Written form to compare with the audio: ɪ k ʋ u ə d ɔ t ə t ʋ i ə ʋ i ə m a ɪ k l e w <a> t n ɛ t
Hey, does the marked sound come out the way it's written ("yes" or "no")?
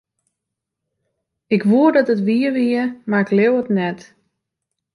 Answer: no